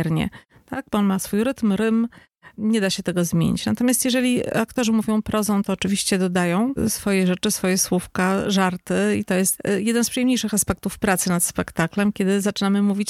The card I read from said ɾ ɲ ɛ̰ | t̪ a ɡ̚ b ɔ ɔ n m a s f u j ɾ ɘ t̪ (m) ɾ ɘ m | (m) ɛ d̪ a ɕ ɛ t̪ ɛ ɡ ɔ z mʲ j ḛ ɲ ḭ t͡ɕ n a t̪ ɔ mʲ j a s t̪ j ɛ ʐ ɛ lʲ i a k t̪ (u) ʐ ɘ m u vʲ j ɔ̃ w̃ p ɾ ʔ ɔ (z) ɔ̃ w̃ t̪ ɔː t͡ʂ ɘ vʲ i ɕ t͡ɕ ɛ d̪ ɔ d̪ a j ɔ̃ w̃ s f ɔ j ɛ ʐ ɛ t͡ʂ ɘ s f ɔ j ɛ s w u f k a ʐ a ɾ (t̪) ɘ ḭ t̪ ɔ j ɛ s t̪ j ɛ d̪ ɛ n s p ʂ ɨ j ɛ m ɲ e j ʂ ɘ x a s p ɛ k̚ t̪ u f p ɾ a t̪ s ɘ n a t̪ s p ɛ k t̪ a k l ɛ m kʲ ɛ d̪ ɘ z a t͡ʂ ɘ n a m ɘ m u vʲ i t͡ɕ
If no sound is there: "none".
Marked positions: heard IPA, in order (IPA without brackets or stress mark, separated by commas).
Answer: m, ɲ, ɔ, z, t̪